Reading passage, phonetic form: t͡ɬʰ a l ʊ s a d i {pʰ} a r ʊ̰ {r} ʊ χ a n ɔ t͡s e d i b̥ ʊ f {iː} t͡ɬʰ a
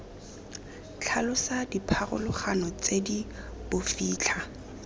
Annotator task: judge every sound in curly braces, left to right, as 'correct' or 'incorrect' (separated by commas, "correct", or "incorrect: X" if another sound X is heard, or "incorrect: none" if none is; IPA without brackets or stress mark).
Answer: correct, incorrect: l, correct